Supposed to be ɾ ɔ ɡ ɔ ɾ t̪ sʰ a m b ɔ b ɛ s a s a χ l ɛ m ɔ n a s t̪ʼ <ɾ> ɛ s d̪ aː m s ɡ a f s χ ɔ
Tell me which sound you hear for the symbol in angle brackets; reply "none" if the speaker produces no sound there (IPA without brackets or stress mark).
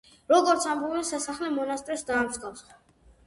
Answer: ɾ